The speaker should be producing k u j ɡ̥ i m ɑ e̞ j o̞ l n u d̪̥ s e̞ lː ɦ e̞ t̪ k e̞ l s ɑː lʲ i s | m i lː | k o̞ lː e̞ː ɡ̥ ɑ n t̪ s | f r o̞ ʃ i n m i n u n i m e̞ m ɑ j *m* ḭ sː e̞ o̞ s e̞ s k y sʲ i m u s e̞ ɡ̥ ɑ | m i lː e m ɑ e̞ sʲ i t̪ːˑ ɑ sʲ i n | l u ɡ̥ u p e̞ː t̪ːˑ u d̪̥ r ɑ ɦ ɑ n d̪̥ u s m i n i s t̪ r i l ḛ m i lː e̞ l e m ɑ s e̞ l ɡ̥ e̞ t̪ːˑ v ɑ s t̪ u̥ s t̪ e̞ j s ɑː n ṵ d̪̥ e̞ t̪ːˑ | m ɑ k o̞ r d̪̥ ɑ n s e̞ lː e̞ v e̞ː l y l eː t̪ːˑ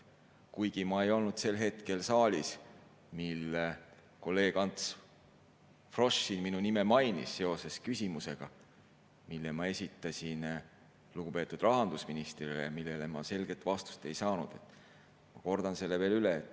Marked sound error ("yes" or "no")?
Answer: yes